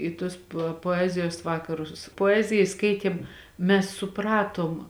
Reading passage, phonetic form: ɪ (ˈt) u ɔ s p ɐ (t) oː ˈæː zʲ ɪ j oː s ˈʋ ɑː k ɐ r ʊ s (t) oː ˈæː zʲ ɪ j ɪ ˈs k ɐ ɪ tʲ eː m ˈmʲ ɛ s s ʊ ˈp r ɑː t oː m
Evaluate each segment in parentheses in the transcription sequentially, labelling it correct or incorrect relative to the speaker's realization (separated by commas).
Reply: correct, incorrect, incorrect